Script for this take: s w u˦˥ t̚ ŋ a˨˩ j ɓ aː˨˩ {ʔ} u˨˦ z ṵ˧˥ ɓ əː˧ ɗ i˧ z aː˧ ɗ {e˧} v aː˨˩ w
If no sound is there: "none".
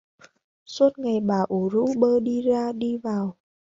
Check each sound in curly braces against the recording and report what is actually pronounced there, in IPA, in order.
ʔ, i˧

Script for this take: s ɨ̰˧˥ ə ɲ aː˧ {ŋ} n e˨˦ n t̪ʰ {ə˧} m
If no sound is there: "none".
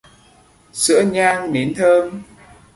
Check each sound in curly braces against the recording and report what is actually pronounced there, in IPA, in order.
ŋ, əː˧

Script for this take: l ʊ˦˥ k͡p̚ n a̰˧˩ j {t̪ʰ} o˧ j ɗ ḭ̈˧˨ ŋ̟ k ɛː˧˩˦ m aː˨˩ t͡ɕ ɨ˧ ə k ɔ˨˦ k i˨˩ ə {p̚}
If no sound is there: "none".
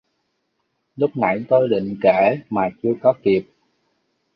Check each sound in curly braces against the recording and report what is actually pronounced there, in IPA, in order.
t̪, p̚

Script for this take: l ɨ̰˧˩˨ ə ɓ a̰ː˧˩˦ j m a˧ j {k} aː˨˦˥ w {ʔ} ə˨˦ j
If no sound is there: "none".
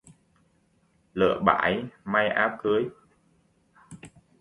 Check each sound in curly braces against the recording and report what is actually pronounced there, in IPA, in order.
ʔ, k

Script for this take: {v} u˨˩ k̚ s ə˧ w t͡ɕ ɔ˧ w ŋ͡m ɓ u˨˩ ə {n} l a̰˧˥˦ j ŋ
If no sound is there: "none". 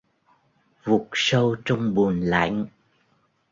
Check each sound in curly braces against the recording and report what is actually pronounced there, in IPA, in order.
v, n

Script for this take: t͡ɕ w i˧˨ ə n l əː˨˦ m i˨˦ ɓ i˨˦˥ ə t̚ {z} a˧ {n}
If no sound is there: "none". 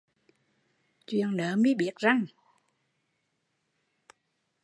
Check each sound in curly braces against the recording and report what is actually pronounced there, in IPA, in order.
z, ŋ

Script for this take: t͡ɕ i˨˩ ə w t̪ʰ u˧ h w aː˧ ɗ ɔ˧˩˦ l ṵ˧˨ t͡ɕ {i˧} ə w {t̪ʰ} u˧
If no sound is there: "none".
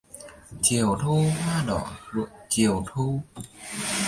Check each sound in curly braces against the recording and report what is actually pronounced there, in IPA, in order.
i˨˩, t̪ʰ

